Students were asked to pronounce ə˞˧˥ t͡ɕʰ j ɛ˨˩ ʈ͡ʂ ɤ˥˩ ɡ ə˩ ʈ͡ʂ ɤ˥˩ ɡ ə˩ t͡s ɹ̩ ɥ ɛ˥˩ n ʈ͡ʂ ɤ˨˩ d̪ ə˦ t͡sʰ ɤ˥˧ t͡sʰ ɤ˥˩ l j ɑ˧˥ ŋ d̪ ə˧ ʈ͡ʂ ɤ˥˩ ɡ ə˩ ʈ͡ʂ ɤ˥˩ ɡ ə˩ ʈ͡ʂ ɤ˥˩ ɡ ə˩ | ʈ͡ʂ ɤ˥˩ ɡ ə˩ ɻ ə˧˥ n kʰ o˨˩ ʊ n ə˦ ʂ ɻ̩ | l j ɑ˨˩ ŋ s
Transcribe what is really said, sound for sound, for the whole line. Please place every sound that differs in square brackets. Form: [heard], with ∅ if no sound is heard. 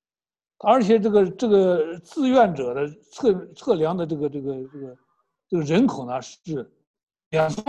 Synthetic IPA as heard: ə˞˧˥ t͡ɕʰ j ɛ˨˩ ʈ͡ʂ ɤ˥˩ ɡ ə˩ ʈ͡ʂ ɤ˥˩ ɡ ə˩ t͡s ɹ̩ ɥ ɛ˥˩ n ʈ͡ʂ ɤ˨˩ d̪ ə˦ t͡sʰ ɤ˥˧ t͡sʰ ɤ˥˩ l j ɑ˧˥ ŋ d̪ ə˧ ʈ͡ʂ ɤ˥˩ ɡ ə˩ ʈ͡ʂ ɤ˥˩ ɡ ə˩ ʈ͡ʂ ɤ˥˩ ɡ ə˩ | ʈ͡ʂ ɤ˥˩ ɡ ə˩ ɻ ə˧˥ n kʰ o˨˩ ʊ n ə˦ ʂ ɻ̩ | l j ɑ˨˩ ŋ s